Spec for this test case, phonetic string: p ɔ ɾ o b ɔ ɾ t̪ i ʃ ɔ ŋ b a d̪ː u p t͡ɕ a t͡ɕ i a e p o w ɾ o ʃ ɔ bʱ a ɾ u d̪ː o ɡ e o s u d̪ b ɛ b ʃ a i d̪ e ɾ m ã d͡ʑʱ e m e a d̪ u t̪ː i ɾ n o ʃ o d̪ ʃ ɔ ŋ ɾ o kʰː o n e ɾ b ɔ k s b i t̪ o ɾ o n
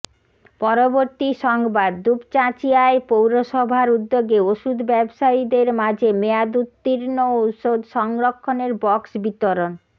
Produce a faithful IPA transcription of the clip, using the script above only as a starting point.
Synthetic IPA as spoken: p ɔ ɾ o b o ɾ t̪ i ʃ ɔ ŋ b a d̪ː u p t͡ɕ a t͡ɕ i a e p o w ɾ o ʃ ɔ bʱ a ɾ u d̪ː o ɡ e o ʃ u d̪ b ɛ b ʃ a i d̪ e ɾ m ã d͡ʑʱ e m e a d̪ u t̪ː i ɾ n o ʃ o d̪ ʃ ɔ ŋ ɾ o kʰː o n e ɾ b ɔ k s b i t̪ o ɾ o n